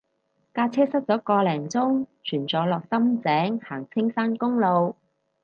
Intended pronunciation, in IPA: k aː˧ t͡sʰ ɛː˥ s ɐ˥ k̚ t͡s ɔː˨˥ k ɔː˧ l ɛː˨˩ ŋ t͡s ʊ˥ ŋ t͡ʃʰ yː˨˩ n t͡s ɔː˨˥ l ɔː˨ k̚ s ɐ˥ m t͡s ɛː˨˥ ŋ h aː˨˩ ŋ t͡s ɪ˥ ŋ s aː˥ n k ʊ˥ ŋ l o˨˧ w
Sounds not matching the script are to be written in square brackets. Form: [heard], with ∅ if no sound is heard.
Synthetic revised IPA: k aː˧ t͡sʰ ɛː˥ s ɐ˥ [t̚] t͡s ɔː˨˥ k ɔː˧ l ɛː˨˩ ŋ t͡s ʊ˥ ŋ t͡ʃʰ yː˨˩ n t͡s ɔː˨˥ l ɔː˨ k̚ s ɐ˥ m t͡s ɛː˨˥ ŋ h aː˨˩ ŋ [t͡sʰ] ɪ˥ ŋ s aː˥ n k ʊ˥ ŋ l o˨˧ w